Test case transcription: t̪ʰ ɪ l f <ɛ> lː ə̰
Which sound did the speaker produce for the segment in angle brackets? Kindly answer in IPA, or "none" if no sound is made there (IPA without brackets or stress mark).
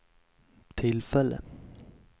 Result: ɛ